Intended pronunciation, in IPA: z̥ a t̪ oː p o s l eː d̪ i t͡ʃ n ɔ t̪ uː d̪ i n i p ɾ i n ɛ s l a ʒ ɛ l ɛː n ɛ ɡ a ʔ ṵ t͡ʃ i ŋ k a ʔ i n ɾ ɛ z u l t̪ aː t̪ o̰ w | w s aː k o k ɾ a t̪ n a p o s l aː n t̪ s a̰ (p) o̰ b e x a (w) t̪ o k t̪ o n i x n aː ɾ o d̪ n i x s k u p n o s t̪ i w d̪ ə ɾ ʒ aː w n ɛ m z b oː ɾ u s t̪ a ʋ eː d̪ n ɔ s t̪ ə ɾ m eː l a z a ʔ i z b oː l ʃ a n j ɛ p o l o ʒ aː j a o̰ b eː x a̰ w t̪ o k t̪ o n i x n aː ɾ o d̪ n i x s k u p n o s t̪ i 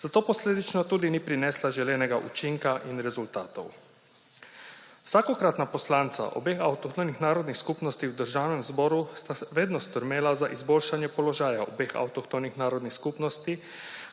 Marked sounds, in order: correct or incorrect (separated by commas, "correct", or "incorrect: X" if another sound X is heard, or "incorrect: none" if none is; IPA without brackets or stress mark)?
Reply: incorrect: ʔ, correct